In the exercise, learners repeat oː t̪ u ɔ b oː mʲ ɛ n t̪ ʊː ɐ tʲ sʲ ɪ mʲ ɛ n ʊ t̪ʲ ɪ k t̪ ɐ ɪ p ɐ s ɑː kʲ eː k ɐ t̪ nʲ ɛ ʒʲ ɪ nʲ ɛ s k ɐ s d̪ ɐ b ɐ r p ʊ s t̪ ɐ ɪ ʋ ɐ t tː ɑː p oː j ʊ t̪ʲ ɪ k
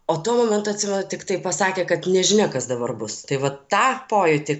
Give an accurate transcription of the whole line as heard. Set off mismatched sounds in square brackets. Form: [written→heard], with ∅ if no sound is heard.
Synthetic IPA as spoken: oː t̪ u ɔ [b→m] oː mʲ ɛ n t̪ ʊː ɐ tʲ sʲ ɪ mʲ ɛ n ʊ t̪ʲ ɪ k t̪ ɐ ɪ p ɐ s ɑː kʲ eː k ɐ t̪ nʲ ɛ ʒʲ ɪ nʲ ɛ [s→∅] k ɐ s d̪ ɐ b ɐ r [p→b] ʊ s t̪ ɐ ɪ ʋ ɐ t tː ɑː p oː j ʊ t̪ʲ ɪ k